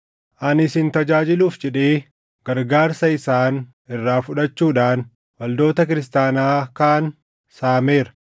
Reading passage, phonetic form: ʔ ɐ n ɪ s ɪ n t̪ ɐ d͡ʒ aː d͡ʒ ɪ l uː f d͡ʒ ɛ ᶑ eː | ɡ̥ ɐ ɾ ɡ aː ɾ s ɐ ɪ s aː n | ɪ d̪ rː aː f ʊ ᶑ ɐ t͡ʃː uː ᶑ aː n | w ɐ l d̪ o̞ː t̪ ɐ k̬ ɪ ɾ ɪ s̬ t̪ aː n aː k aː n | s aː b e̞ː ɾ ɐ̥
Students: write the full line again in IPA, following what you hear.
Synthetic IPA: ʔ ɐ n ɪ s ɪ n t̪ ɐ d͡ʒ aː d͡ʒ ɪ l uː f d͡ʒ ɛ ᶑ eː | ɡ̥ ɐ ɾ ɡ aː ɾ s ɐ ɪ s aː n | ɪ rː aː f ʊ ᶑ ɐ t͡ʃː uː ᶑ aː n | w ɐ l d̪ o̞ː t̪ ɐ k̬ ɪ ɾ ɪ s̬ t̪ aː n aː k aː n | s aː m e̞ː ɾ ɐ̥

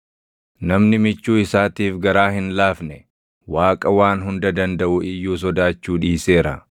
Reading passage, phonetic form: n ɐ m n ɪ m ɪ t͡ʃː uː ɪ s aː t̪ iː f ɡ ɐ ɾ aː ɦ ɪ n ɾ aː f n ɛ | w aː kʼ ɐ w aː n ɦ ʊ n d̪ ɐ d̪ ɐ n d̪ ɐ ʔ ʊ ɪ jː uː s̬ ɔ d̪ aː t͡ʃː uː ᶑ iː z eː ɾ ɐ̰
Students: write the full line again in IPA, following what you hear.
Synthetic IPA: n ɐ m n ɪ m ɪ t͡ʃː uː ɪ s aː t̪ iː f ɡ ɐ ɾ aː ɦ ɪ n l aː f n ɛ | w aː kʼ ɐ w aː n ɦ ʊ n d̪ ɐ d̪ ɐ n d̪ ɐ ʔ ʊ ɪ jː uː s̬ ɔ d̪ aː t͡ʃː uː ᶑ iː s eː ɾ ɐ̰

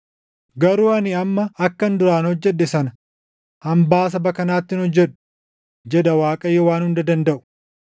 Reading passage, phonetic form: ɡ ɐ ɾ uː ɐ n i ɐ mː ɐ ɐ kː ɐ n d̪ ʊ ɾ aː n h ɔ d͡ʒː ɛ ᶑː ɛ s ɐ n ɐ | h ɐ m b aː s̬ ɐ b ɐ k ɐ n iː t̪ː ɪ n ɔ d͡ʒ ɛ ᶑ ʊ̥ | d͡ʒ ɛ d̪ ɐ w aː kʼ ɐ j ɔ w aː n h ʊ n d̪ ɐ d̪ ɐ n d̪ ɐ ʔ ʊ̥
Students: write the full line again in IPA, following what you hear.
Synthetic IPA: ɡ ɐ ɾ uː ɐ n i ɐ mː ɐ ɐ kː ɐ n d̪ ʊ ɾ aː n h ɔ d͡ʒː ɛ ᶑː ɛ s ɐ n ɐ | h ɐ m b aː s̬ ɐ b ɐ k ɐ n aː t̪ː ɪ n ɔ d͡ʒː ɛ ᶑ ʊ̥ | d͡ʒ ɛ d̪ ɐ w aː kʼ ɐ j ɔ w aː n h ʊ n d̪ ɐ d̪ ɐ n d̪ ɐ ʔ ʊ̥

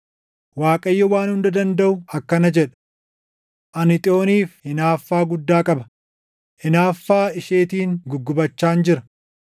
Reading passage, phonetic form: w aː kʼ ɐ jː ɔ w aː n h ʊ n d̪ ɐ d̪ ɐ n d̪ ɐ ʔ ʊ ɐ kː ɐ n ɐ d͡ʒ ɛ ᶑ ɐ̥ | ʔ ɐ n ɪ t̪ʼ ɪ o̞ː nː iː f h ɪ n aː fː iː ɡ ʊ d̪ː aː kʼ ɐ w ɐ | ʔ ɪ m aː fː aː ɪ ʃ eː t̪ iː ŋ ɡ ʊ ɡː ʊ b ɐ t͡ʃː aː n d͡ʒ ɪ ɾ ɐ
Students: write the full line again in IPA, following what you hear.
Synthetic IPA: w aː kʼ ɐ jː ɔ w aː n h ʊ n d̪ ɐ d̪ ɐ n d̪ ɐ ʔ ʊ ɐ kː ɐ n ɐ d͡ʒ ɛ ᶑ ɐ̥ | ʔ ɐ n ɪ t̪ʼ ɪ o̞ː n iː f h ɪ n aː fː aː ɡ ʊ d̪ː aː kʼ ɐ b ɐ | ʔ ɪ n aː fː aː ɪ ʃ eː t̪ iː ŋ ɡ ʊ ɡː ʊ b ɐ t͡ʃː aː n d͡ʒ ɪ ɾ ɐ

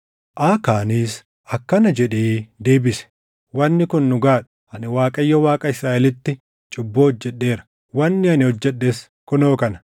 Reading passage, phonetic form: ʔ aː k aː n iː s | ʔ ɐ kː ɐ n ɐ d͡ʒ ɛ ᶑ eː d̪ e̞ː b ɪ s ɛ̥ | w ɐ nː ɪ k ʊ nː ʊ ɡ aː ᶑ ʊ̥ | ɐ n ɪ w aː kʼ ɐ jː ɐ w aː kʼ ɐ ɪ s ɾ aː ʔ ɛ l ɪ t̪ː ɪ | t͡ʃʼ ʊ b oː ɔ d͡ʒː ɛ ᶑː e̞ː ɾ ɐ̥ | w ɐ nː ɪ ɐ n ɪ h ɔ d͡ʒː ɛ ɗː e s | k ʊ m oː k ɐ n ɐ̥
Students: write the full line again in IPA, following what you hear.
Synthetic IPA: ʔ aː k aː n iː s | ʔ ɐ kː ɐ n ɐ d͡ʒ ɛ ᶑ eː d̪ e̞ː b ɪ s ɛ̥ | w ɐ nː ɪ k ʊ nː ʊ ɡ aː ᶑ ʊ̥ | ɐ n ɪ w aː kʼ ɐ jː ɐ w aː kʼ ɐ ɪ s ɾ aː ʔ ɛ l ɪ t̪ː ɪ | t͡ʃʼ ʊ bː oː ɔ d͡ʒː ɛ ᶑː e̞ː ɾ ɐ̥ | w ɐ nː ɪ ɐ n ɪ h ɔ d͡ʒː ɛ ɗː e s | k ʊ n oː k ɐ n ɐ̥

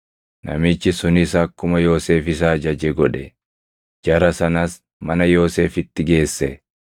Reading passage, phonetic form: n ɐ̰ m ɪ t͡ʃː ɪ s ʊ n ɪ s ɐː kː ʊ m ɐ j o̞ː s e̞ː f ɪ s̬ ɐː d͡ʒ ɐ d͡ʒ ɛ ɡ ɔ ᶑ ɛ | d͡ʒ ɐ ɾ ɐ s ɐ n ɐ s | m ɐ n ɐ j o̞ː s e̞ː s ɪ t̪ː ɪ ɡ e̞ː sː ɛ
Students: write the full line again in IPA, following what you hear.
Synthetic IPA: n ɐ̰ m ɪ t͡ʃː ɪ s ʊ n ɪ s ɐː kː ʊ m ɐ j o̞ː s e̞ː f ɪ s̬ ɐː d͡ʒ ɐ d͡ʒ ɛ ɡ ɔ ᶑ ɛ | d͡ʒ ɐ ɾ ɐ s ɐ n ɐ s | m ɐ n ɐ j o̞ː s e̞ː f ɪ t̪ː ɪ ɡ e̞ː sː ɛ

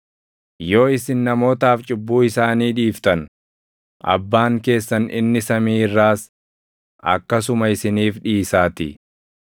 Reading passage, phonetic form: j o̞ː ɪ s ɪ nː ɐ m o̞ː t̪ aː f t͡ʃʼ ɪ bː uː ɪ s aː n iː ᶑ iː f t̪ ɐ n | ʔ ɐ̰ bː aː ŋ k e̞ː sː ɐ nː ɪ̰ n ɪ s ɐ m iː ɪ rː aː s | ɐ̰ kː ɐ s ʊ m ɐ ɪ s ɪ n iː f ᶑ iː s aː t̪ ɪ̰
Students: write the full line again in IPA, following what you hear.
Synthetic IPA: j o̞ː ɪ s ɪ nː ɐ m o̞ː t̪ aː f t͡ʃʼ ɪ bː uː ɪ s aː n iː ᶑ iː f t̪ ɐ n | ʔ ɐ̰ bː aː ŋ k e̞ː sː ɐ n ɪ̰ nː ɪ s ɐ m iː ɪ rː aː s | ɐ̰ kː ɐ s ʊ m ɐ ɪ s ɪ n iː f ᶑ iː s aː t̪ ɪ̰

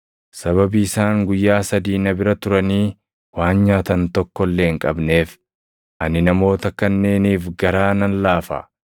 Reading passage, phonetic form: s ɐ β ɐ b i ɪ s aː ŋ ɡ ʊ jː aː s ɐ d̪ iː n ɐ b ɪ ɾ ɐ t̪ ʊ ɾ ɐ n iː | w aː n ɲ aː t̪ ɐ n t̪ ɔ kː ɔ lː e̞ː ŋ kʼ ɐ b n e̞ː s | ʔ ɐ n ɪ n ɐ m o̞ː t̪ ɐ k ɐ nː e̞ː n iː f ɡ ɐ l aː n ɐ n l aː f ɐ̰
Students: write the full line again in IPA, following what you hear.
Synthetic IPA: s ɐ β ɐ b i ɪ s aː ŋ ɡ ʊ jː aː s ɐ d̪ iː n ɐ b ɪ ɾ ɐ t̪ ʊ ɾ ɐ n iː | w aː n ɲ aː t̪ ɐ n t̪ ɔ kː ɔ lː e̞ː ŋ kʼ ɐ b n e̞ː f | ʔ ɐ n ɪ n ɐ m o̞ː t̪ ɐ k ɐ nː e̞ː n iː f ɡ ɐ ɾ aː n ɐ n l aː f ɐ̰

